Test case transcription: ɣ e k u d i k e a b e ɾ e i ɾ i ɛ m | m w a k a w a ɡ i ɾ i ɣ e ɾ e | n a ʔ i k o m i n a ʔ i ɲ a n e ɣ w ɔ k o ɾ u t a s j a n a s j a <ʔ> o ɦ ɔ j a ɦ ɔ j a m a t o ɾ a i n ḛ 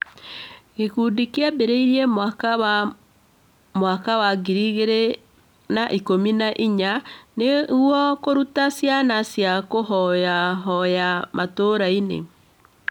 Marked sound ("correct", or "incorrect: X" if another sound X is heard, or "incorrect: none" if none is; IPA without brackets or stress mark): incorrect: k